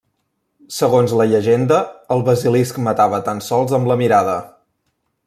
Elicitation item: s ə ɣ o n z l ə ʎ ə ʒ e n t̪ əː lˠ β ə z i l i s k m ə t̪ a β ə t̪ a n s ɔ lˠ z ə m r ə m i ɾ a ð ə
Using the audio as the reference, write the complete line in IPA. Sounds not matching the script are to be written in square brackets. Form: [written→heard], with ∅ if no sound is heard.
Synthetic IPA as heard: s ə ɣ o n z l ə ʎ ə ʒ e n [t̪→d̪] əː lˠ β ə z i l i s k m ə t̪ a β ə t̪ a n s ɔ lˠ z ə m [r→l] ə m i ɾ a ð ə